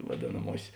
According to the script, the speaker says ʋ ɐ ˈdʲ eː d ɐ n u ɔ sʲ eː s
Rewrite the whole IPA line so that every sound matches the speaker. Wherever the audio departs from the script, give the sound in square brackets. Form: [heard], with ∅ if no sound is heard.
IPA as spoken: ʋ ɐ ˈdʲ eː [n] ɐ [m] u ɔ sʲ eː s